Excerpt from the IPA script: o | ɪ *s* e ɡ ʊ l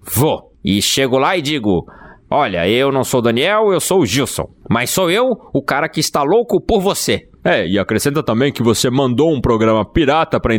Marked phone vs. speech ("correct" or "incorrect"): incorrect